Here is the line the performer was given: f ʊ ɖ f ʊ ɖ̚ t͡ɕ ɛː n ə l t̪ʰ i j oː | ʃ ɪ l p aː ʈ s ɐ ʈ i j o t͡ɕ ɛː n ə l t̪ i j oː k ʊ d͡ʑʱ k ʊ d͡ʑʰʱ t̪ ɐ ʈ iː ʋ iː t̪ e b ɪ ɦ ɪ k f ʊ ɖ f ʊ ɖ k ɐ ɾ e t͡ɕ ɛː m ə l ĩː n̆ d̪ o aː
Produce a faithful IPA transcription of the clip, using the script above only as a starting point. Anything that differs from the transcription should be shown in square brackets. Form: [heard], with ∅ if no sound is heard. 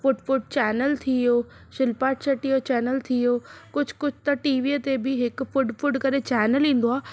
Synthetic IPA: f ʊ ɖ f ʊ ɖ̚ t͡ɕ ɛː n ə l t̪ʰ i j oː | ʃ ɪ l p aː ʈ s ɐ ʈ i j o t͡ɕ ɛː n ə l [t̪ʰ] i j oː k ʊ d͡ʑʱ k ʊ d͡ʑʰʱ t̪ ɐ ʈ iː ʋ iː t̪ e b ɪ ɦ ɪ k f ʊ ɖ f ʊ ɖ k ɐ ɾ e t͡ɕ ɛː [n] ə l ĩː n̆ d̪ o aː